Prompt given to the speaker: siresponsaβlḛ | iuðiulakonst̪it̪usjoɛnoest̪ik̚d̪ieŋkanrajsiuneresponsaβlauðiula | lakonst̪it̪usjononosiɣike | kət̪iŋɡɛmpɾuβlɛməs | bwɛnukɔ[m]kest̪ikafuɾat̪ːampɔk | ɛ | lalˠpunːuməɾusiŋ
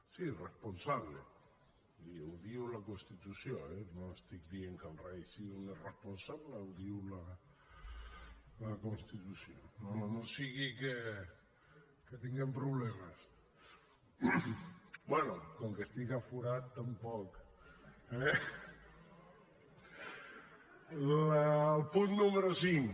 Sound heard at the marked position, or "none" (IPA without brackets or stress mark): ŋ